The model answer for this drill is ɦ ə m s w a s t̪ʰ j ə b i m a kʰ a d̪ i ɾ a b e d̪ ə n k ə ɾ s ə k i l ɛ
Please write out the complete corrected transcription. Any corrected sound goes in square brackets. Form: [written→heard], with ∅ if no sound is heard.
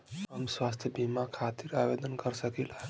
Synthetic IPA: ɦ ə m s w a s t̪ʰ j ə b i m a kʰ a [d̪→t̪] i ɾ a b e d̪ ə n k ə ɾ s ə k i l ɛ